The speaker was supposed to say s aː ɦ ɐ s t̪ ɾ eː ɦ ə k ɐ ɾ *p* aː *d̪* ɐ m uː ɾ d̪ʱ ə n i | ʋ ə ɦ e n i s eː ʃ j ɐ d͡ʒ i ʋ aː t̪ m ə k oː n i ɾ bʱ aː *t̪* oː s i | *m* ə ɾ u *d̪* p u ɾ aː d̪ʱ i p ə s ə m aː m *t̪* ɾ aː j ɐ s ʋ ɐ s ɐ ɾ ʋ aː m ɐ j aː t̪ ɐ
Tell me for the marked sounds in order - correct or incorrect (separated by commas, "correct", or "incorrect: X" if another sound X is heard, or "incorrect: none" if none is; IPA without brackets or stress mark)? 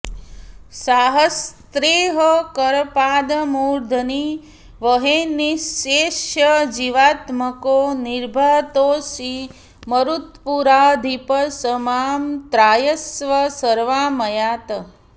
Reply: correct, correct, correct, correct, incorrect: t̪, correct